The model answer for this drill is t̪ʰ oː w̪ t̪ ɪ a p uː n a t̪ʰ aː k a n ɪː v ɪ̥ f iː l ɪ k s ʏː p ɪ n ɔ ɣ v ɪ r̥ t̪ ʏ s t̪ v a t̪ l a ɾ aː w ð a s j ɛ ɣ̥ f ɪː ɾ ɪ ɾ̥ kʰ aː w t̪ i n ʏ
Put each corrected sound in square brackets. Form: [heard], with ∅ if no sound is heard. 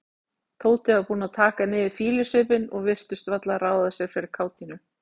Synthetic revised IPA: t̪ʰ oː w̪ t̪ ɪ a p uː n a t̪ʰ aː k a n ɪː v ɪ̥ f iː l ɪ [∅] s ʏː p ɪ n ɔ ɣ v ɪ r̥ t̪ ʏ s t̪ v a t̪ l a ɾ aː w ð a s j ɛ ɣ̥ f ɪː ɾ ɪ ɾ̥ kʰ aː w t̪ i n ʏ